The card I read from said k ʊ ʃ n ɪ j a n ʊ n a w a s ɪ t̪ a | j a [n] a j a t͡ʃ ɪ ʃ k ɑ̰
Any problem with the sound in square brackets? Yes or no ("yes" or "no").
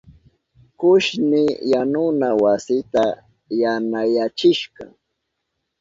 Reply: no